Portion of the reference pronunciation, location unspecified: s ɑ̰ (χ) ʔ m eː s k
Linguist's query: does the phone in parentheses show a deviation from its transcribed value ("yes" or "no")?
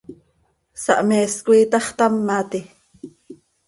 yes